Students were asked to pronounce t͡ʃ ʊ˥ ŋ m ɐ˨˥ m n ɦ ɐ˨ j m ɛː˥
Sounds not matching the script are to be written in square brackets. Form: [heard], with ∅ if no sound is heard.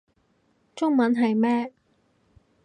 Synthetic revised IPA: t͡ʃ ʊ˥ ŋ m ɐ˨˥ [∅] n ɦ ɐ˨ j m ɛː˥